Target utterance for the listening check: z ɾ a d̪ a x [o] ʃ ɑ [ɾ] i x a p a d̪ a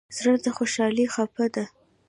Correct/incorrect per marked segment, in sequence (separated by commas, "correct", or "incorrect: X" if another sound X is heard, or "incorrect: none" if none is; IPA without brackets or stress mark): correct, incorrect: l